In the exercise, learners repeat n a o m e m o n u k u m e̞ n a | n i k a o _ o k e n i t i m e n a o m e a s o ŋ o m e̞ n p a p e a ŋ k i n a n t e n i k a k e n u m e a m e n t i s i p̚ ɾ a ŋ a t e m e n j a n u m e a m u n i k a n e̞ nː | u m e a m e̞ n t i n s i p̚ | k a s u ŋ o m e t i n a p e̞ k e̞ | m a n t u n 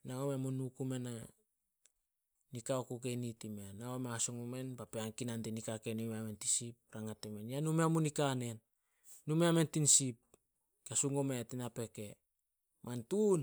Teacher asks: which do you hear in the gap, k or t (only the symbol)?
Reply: k